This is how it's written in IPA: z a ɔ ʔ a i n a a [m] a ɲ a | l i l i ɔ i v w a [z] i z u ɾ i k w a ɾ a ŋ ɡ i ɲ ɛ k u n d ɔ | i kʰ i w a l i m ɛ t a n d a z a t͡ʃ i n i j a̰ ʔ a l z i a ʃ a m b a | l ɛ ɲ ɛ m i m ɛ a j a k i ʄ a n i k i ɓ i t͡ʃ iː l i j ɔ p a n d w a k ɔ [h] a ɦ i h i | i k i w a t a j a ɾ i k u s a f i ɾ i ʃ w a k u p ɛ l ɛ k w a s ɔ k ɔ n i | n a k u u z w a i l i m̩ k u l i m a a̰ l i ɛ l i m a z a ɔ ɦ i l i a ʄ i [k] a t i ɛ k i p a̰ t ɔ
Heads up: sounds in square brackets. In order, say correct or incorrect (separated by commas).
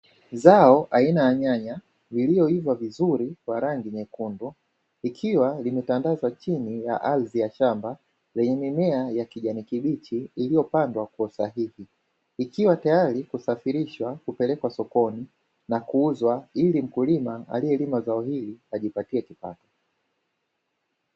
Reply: incorrect, incorrect, incorrect, incorrect